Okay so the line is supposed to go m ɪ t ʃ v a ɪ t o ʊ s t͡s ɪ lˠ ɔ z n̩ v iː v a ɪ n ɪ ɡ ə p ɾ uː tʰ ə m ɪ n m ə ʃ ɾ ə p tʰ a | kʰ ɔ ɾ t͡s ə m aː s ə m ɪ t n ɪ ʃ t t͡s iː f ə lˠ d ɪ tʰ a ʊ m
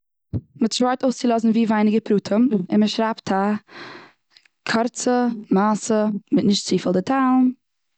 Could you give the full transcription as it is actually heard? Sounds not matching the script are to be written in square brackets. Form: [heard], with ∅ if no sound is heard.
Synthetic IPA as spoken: m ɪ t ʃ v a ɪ t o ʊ s t͡s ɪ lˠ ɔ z n̩ v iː v a ɪ n ɪ ɡ ə p ɾ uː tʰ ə m ɪ n m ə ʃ ɾ [a] p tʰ a | kʰ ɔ ɾ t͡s ə m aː s ə m ɪ t n ɪ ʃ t t͡s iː f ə lˠ d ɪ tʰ a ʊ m